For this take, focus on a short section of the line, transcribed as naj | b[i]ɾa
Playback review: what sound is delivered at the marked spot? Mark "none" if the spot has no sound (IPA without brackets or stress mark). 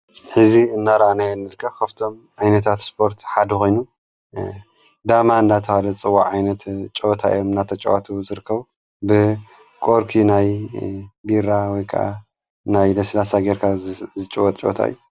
i